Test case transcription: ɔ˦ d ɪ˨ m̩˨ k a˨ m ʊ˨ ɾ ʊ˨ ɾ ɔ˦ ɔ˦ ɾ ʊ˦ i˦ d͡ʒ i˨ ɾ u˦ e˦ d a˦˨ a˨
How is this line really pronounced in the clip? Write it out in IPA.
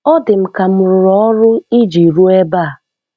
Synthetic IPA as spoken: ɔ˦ d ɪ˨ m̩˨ k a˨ m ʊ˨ ɾ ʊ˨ ɾ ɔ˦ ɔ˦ ɾ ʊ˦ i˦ d͡ʒ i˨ ɾ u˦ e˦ b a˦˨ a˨